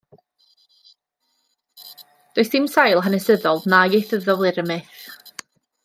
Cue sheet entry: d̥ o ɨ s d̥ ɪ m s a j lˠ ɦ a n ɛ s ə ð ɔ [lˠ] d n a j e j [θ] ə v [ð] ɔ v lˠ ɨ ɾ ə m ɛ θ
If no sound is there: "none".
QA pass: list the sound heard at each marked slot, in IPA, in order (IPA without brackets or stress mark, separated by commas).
lˠ, θ, ð